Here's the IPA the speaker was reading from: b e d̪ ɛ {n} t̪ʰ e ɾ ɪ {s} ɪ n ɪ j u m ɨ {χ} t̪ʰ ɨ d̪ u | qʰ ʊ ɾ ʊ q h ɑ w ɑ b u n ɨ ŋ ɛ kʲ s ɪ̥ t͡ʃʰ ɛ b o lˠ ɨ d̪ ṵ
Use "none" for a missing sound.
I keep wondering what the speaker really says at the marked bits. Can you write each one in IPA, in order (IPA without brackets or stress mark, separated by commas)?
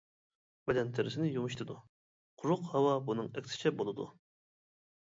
n, s, ʃ